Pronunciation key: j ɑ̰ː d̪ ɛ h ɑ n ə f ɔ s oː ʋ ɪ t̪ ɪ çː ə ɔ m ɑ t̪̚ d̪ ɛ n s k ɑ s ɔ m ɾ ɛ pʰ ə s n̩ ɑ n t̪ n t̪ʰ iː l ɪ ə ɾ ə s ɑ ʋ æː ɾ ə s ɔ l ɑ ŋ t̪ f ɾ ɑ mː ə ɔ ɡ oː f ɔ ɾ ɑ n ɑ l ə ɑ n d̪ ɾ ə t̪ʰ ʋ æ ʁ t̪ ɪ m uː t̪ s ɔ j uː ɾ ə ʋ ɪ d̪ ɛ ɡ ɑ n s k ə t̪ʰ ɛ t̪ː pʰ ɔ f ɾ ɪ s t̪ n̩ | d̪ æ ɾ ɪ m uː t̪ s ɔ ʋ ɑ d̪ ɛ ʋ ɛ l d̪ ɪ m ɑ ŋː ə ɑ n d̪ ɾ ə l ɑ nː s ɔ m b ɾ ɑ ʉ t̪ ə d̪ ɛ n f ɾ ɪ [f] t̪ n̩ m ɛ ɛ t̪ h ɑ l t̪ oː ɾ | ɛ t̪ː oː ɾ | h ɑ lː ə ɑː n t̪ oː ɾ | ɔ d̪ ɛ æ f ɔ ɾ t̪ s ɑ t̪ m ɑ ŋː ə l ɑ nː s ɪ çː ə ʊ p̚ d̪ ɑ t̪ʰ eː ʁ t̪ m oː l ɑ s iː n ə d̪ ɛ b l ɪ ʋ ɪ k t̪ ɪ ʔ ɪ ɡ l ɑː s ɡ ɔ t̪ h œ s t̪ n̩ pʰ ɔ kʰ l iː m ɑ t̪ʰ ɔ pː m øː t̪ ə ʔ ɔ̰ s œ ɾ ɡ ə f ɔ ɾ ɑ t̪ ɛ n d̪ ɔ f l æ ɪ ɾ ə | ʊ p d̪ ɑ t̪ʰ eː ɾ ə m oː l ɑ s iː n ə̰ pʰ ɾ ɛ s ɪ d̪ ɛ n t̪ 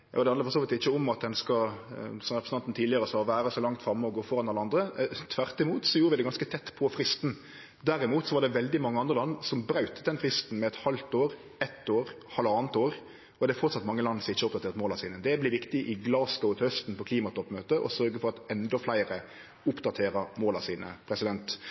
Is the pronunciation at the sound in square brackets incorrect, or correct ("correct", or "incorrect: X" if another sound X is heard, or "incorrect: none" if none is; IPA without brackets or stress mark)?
incorrect: s